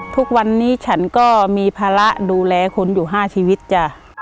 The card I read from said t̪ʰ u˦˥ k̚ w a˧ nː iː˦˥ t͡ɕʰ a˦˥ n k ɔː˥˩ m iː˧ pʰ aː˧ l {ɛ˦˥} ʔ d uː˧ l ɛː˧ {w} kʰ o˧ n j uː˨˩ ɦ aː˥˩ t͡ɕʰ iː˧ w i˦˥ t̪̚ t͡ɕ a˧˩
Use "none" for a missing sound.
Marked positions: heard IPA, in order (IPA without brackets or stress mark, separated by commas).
a˦˥, none